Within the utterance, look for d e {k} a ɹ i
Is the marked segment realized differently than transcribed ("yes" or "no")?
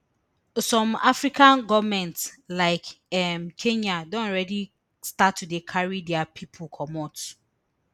yes